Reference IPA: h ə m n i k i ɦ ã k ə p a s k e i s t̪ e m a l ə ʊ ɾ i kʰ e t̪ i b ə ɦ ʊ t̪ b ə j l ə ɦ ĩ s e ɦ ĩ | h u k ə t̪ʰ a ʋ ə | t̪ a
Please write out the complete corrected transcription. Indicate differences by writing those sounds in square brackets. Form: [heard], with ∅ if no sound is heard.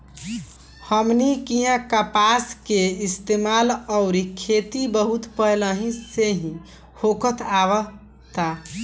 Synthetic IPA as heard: h ə m n i k i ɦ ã k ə p a s k e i s t̪ e m a l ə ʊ ɾ i kʰ e t̪ i b ə ɦ [u] t̪ [p] ə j l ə ɦ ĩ s e ɦ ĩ | h [o] k ə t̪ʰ a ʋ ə | t̪ a